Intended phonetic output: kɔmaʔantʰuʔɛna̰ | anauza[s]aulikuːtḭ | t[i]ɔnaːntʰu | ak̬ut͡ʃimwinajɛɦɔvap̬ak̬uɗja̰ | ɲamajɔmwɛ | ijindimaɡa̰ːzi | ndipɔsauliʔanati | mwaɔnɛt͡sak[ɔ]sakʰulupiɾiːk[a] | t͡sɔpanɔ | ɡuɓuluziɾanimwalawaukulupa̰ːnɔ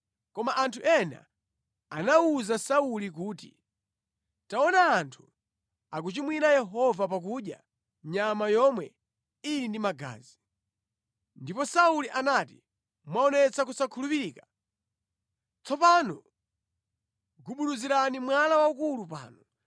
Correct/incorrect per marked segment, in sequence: correct, incorrect, incorrect, correct

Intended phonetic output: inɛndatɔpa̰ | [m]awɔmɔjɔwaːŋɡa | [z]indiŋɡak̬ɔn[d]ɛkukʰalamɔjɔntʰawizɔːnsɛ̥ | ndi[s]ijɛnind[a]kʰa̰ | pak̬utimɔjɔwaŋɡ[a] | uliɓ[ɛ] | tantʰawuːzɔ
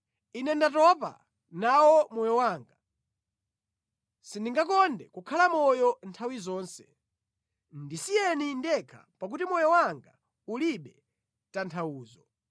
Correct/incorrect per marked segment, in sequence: incorrect, incorrect, correct, correct, incorrect, correct, correct

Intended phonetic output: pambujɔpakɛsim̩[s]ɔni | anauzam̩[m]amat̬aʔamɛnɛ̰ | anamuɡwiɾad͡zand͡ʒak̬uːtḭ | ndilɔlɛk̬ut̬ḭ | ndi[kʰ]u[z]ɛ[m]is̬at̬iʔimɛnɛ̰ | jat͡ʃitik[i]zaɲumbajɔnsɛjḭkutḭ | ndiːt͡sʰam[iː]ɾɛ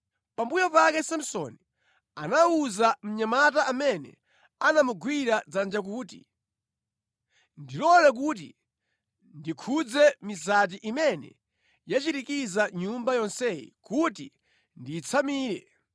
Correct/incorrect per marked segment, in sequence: correct, incorrect, correct, incorrect, correct, correct, correct

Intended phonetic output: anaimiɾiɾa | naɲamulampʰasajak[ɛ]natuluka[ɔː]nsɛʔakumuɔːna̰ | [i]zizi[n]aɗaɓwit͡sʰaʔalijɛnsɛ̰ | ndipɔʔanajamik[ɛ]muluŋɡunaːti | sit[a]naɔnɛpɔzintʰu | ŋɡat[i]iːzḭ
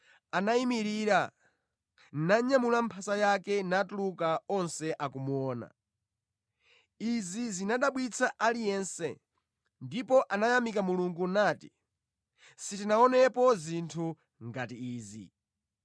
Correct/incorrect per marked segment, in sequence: correct, incorrect, correct, correct, incorrect, incorrect, correct

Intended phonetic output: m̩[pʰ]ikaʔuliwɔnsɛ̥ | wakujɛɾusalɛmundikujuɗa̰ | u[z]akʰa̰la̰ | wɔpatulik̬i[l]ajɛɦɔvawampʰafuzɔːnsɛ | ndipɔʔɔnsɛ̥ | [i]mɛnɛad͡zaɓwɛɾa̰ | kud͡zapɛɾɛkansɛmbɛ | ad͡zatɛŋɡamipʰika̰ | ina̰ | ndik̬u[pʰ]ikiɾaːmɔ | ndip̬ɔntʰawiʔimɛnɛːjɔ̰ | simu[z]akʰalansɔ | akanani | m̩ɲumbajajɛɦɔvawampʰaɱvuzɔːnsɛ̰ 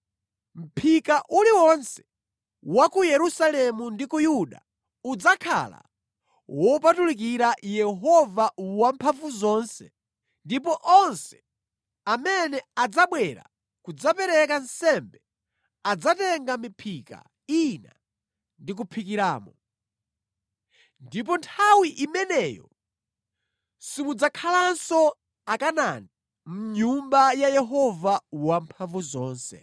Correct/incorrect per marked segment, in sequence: correct, incorrect, incorrect, incorrect, correct, incorrect

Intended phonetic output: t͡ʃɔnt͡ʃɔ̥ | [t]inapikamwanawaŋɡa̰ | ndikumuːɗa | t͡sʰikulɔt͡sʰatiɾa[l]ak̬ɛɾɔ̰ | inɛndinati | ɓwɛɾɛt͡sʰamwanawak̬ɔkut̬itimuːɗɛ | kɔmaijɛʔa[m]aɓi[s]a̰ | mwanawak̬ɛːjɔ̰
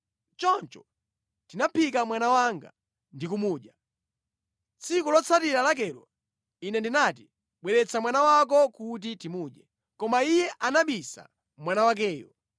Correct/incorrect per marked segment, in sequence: correct, correct, incorrect, correct

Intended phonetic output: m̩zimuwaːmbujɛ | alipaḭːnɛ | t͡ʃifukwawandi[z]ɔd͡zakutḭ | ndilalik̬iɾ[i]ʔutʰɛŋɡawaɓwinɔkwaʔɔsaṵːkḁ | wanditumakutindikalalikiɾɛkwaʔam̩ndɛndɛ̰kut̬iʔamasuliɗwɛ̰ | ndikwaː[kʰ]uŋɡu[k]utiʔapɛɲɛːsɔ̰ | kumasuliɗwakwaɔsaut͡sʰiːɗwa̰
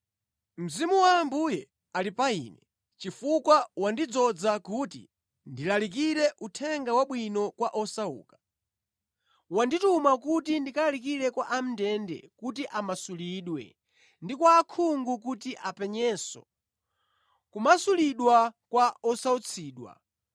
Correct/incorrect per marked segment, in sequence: incorrect, incorrect, correct, correct

